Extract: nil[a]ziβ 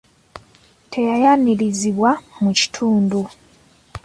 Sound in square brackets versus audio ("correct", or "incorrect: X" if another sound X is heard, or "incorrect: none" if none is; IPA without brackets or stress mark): incorrect: i